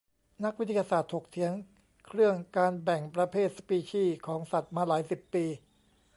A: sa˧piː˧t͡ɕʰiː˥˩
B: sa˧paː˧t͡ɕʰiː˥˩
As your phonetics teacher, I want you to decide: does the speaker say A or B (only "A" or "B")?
A